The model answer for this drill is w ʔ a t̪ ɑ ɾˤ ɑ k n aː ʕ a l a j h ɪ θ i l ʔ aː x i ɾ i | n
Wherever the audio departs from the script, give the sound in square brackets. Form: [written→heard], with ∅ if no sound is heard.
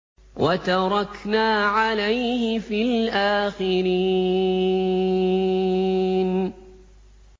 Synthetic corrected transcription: w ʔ a t̪ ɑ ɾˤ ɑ k n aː ʕ a l a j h ɪ [θ→f] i l ʔ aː x [i→ɪ] ɾ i | n